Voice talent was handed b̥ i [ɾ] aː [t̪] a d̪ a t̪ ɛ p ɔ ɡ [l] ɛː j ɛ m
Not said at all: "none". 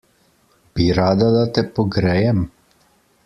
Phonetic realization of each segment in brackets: ɾ, d̪, ɾ

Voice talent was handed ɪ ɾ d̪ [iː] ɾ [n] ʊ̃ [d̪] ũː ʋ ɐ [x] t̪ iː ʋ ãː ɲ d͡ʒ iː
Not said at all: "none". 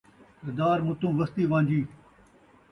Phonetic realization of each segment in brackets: aː, m, t̪, s

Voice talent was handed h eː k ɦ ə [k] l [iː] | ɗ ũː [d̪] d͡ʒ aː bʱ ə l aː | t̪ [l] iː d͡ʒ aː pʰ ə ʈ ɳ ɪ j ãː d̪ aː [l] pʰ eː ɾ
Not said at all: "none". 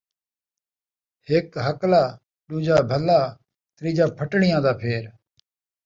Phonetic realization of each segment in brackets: k, aː, none, ɾ, none

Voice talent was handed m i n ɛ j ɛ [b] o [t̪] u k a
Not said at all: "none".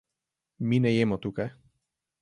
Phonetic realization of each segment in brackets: m, t̪

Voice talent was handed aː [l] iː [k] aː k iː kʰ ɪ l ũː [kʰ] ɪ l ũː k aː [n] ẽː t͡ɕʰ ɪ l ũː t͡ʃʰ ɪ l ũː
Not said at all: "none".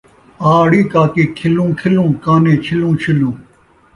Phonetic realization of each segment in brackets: ɽ, k, kʰ, n

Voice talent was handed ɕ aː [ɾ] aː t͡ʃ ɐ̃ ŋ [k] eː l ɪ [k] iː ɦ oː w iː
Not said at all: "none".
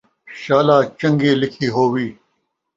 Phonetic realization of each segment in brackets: l, ɡ, kʰ

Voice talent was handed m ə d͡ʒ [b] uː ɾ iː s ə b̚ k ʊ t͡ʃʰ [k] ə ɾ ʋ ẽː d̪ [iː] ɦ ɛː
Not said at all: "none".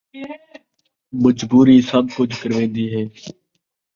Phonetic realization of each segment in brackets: b, k, iː

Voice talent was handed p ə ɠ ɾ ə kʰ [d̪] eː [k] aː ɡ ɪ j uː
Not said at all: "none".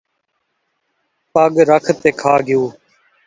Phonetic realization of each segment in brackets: t̪, kʰ

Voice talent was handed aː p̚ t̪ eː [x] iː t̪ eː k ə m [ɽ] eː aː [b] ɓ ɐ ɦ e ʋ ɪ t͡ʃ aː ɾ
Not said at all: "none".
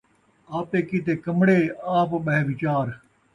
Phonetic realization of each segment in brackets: k, ɽ, p

